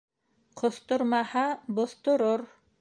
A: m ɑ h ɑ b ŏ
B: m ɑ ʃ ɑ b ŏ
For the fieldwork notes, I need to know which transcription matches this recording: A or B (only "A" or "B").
A